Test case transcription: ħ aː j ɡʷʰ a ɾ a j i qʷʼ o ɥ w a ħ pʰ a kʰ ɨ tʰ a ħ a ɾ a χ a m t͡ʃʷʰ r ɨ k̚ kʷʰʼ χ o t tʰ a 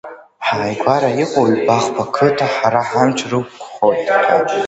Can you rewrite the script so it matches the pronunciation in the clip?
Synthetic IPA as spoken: ħ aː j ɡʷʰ a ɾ a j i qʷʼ o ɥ b a χ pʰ a kʰ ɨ tʰ a ħ a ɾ a ħ a m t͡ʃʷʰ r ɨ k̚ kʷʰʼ χ o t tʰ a